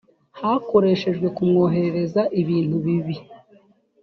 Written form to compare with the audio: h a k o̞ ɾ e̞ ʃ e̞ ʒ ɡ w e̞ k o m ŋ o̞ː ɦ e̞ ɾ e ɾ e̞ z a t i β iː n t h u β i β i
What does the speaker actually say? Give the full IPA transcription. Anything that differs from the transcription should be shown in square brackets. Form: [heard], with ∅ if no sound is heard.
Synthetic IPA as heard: h a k o̞ ɾ e̞ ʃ e̞ ʒ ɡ w e̞ k [u] m ŋ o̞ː ɦ e̞ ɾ e ɾ e̞ z a [ʔ] i β iː n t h u β i β i